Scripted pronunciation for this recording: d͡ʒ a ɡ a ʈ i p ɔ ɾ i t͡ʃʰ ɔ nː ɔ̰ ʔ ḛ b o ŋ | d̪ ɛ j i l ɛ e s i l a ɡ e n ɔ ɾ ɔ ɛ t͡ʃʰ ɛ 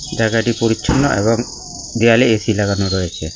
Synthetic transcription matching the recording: d͡ʒ a ɡ a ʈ i p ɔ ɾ i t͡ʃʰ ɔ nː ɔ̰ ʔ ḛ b ɔ ŋ | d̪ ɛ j a l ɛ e s i l a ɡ a n ɔ ɾ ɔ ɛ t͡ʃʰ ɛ